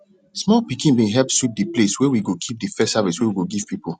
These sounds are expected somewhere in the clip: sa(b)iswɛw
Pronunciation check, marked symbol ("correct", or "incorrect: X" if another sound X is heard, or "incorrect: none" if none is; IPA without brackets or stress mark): incorrect: v